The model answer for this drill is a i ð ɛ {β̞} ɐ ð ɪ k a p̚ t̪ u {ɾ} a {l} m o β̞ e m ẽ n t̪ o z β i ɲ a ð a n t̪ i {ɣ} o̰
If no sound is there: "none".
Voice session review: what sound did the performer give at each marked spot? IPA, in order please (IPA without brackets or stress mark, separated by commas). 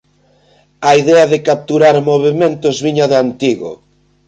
none, ɾ, ɾ, ɣ